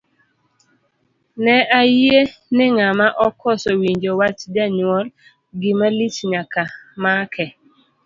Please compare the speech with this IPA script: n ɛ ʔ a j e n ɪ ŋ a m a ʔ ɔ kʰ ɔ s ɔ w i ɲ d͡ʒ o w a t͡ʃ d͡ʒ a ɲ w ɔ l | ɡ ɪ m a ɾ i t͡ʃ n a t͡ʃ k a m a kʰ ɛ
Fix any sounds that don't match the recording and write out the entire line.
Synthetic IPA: n ɛ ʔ a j e n ɪ ŋ a m a ʔ ɔ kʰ ɔ s ɔ w i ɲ d͡ʒ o w a t͡ʃ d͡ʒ a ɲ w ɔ l | ɡ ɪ m a l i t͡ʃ ɲ a k a m a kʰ ɛ